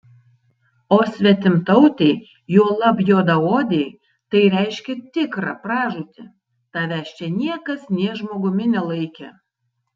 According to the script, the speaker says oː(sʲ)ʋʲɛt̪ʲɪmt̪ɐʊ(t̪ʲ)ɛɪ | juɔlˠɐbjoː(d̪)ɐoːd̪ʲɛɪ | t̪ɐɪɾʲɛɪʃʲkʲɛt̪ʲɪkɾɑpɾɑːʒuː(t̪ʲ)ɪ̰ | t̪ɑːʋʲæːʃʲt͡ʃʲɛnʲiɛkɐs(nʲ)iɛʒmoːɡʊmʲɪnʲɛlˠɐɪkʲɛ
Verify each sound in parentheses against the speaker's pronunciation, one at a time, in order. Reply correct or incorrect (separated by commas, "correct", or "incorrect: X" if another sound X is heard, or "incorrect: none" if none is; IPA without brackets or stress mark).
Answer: correct, correct, correct, correct, correct